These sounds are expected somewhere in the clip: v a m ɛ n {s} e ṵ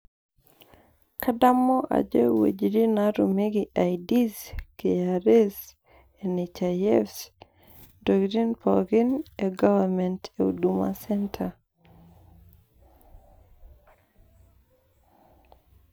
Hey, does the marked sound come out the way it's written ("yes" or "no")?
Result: no